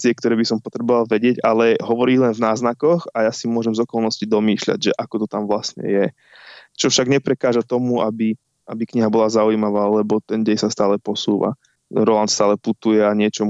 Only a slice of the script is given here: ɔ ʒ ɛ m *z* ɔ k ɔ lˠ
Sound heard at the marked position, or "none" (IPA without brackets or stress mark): z